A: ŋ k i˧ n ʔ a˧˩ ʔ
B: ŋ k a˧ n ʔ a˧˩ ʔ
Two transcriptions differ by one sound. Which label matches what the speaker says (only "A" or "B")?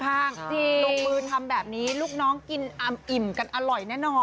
A